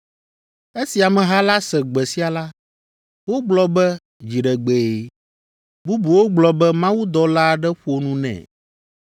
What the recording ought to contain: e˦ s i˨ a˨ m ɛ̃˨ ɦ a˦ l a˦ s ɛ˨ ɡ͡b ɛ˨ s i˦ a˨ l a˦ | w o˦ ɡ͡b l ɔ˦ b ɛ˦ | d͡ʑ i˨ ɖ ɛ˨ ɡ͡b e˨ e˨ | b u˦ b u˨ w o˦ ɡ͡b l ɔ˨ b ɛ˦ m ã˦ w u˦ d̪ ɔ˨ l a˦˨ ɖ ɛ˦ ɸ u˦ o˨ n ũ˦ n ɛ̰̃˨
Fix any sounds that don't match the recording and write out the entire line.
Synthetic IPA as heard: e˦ s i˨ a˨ m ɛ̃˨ ɦ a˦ l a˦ s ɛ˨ ɡ͡b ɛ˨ s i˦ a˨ l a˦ | w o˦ ɡ͡b l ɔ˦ b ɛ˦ | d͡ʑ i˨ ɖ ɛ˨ ɡ͡b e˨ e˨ | b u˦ b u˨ w o˦ ɡ͡b l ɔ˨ b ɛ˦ m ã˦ w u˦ d̪ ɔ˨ l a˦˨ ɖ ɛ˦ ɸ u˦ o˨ n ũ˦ n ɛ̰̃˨